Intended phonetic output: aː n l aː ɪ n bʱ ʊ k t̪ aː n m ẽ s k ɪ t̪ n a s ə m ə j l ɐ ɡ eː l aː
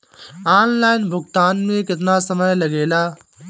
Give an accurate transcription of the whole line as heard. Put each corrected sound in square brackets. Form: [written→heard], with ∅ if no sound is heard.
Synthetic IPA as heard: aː n l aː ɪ n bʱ ʊ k t̪ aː n m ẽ [s→∅] k ɪ t̪ n a s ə m ə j l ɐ ɡ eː l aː